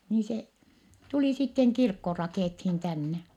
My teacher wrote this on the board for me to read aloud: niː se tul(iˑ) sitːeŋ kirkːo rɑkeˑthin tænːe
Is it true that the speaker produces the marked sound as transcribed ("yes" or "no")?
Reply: yes